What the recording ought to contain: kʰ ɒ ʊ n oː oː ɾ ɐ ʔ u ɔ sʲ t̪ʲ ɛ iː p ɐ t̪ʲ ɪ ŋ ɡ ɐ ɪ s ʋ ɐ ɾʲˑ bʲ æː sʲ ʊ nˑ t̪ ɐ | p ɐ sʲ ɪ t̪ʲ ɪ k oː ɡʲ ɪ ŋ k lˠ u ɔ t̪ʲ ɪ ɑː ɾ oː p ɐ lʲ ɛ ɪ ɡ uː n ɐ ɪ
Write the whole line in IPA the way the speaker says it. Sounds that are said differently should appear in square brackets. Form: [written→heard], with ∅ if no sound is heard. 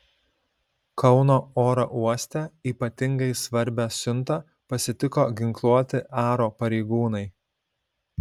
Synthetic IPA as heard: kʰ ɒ ʊ n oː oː ɾ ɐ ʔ u ɔ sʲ t̪ʲ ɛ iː p ɐ t̪ʲ ɪ ŋ ɡ ɐ ɪ s ʋ ɐ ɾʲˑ bʲ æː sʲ ʊ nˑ t̪ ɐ | p ɐ sʲ ɪ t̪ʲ ɪ k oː ɡʲ ɪ ŋ k lˠ u ɔ t̪ʲ ɪ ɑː ɾ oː p ɐ [lʲ→ɾʲ] ɛ ɪ ɡ uː n ɐ ɪ